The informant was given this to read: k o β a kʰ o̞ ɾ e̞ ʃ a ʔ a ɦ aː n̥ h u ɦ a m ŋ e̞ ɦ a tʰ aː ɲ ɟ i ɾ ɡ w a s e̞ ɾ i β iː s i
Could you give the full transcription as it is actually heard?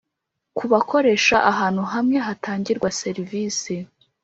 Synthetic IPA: k u β a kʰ o̞ ɾ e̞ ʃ a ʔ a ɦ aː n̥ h u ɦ a m ŋ e̞ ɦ a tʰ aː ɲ ɟ i ɾ ɡ w a s e̞ ɾ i v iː s i

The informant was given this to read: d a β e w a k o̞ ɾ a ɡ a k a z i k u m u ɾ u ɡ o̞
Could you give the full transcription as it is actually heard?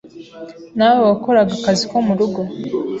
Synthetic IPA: n a w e w a k o̞ ɾ a ɡ a k a z i k o m u ɾ u ɡ o̞

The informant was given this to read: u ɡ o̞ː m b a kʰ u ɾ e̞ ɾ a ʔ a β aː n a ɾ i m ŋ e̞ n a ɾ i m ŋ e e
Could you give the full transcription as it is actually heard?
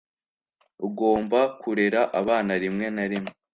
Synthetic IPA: u ɡ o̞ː m b a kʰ u ɾ e̞ ɾ a ʔ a β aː n a ɾ i m ŋ e̞ n a ɾ i m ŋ e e

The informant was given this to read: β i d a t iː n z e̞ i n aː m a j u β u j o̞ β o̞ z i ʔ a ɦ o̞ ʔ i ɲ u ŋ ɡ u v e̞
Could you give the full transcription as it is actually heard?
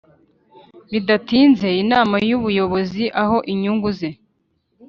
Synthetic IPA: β i d a t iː n z e̞ i n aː m a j u β u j o̞ β o̞ z i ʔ a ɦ o̞ ʔ i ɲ u ŋ ɡ u z e̞

